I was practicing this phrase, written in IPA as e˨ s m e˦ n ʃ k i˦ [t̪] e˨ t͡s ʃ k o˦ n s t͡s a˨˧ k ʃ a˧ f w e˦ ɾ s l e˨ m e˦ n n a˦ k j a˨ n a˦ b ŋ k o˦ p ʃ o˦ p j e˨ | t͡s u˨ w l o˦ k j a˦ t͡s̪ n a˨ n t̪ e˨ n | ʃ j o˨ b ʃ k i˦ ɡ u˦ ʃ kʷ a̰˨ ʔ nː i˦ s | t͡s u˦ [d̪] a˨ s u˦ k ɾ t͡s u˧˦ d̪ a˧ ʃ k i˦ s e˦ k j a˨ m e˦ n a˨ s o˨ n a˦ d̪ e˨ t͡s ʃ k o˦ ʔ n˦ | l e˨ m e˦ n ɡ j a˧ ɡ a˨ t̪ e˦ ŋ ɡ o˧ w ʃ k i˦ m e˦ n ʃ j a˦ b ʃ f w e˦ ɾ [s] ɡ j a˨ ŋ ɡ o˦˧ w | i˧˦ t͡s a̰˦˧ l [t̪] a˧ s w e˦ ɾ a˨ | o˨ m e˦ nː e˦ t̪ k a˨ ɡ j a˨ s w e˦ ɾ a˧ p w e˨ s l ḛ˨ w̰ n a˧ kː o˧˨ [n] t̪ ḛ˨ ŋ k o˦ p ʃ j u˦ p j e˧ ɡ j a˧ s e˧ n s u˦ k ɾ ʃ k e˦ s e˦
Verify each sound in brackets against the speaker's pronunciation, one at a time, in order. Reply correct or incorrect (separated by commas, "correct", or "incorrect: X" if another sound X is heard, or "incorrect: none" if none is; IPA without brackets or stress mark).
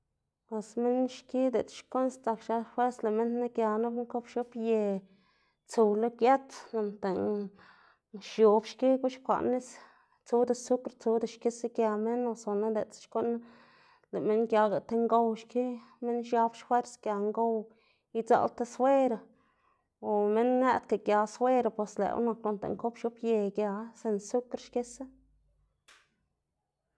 incorrect: d̪, correct, correct, correct, correct